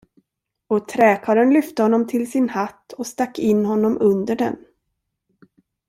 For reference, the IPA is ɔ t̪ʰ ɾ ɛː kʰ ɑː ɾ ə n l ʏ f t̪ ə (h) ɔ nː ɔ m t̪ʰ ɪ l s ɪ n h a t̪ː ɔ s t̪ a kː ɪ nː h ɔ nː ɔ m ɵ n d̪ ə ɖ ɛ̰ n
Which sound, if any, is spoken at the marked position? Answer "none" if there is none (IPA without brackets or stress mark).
h